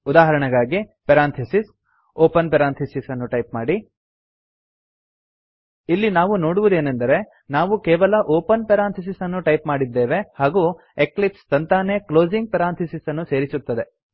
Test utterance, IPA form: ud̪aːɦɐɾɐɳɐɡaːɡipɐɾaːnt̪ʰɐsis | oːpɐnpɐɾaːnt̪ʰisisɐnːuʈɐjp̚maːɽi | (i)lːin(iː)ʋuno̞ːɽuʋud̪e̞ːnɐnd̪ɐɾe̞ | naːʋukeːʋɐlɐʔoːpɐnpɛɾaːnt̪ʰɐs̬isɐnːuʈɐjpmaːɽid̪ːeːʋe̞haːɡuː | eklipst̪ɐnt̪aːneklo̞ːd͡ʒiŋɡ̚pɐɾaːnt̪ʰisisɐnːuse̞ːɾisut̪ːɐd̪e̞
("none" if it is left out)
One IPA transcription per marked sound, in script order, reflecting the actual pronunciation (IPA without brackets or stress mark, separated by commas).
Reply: i, aː